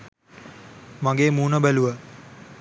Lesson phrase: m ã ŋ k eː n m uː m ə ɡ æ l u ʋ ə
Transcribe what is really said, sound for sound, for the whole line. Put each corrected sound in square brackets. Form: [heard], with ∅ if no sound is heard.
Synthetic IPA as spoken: m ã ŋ [ɡ] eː [∅] m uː [n] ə [b] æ l u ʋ ə

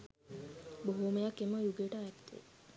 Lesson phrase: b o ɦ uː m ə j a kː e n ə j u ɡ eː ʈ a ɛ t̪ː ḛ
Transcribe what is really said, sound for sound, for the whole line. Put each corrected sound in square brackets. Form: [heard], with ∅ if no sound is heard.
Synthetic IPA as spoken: b o ɦ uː m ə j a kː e [m] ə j u ɡ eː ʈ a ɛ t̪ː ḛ

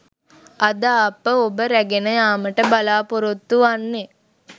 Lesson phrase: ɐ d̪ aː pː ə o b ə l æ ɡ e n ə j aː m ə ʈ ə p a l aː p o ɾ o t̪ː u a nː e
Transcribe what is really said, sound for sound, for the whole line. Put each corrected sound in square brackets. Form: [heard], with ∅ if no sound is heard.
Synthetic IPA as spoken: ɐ d̪ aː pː ə o b ə [ɾ] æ ɡ e n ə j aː m ə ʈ ə [b] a l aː p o ɾ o t̪ː u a nː e

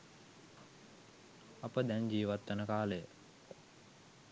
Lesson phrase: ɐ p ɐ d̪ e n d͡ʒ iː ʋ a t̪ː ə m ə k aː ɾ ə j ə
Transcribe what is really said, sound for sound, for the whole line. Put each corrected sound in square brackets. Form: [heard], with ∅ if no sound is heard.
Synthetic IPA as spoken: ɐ p [ə] d̪ [ɛ] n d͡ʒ iː ʋ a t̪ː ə [n] ə k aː [l] ə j ə

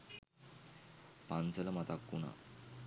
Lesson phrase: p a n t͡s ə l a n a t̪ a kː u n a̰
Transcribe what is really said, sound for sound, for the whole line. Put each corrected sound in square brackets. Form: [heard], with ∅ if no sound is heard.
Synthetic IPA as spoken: p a n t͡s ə l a [m] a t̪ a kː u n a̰

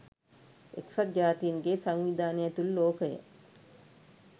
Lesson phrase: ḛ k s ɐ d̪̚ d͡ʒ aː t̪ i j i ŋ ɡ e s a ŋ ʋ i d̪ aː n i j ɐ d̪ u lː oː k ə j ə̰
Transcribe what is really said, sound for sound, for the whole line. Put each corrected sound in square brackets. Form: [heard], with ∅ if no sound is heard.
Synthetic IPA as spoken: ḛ k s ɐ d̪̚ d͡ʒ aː t̪ i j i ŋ ɡ e s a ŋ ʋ i d̪ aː n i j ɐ [t̪] u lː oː k ə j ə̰

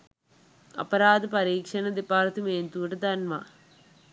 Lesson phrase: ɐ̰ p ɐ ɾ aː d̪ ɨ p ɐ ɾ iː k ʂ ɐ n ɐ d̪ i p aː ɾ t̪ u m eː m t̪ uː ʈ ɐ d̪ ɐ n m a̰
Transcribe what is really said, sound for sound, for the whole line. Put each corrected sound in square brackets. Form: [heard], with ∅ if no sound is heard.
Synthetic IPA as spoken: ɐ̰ p ɐ ɾ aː d̪ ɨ p ɐ ɾ iː k ʂ ɐ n ɐ d̪ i p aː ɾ t̪ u m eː [n] t̪ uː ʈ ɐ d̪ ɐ n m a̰

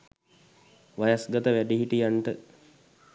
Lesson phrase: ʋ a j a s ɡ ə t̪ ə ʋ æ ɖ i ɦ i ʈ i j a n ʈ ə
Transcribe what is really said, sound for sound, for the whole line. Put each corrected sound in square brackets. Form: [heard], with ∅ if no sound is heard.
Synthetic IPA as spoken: ʋ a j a s ɡ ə t̪ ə ʋ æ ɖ i ɦ i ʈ i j a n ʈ ə

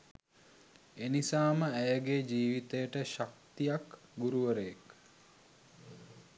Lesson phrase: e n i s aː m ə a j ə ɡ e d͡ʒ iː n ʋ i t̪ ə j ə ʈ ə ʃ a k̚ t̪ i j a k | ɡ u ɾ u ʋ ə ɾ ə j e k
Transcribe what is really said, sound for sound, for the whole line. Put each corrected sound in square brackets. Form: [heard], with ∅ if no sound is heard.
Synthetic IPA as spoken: e n i s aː m ə [æ] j ə ɡ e d͡ʒ iː [∅] ʋ i t̪ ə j ə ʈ ə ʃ a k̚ t̪ i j a k | ɡ u ɾ u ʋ ə ɾ ə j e k

